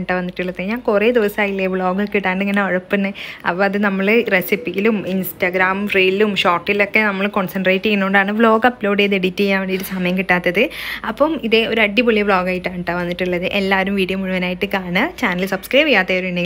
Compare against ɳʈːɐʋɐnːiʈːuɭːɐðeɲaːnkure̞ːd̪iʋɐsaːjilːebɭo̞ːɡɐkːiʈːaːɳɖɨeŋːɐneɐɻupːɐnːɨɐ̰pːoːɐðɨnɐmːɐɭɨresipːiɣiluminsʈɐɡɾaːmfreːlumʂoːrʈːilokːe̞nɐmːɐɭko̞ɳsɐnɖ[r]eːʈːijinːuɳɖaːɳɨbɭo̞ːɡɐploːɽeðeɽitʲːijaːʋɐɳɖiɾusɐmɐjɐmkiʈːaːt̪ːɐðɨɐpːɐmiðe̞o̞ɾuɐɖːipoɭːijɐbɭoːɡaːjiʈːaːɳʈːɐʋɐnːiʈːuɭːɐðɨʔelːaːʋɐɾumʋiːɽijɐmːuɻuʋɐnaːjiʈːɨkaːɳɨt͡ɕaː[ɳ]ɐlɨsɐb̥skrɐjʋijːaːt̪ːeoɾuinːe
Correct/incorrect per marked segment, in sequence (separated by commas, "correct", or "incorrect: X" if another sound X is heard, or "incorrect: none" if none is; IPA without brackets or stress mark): correct, incorrect: n